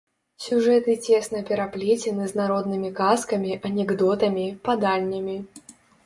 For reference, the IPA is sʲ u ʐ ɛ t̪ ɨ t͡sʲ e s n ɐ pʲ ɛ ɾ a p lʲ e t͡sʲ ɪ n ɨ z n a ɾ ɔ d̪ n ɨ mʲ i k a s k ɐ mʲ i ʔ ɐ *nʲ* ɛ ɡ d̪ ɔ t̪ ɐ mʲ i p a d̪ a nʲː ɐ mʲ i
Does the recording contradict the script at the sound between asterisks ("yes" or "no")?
no